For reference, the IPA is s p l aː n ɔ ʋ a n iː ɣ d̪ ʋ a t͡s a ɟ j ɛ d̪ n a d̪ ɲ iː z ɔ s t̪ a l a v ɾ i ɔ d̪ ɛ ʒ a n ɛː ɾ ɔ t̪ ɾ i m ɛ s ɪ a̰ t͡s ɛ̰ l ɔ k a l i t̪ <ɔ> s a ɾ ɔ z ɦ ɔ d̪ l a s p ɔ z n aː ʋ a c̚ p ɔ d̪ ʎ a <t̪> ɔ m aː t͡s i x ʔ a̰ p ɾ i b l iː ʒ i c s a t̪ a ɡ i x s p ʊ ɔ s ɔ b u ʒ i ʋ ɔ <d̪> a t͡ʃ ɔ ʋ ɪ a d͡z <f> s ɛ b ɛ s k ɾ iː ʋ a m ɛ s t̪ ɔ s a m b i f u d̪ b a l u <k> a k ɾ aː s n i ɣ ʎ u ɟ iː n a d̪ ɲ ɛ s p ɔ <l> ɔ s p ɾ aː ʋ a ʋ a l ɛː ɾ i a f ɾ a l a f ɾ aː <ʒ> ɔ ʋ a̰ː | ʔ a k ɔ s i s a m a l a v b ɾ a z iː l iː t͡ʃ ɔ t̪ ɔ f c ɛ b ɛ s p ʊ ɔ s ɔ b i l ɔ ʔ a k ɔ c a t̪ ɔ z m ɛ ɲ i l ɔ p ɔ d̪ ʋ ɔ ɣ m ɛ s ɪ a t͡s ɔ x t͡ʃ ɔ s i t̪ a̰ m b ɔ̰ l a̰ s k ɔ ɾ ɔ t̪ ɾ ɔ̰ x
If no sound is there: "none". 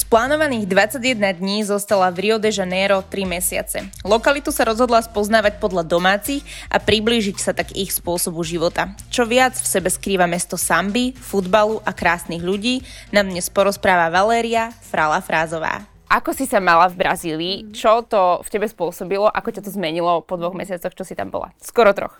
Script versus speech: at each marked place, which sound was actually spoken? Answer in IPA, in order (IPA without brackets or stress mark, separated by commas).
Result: u, d̪, t̪, f, ʔ, ɾ, z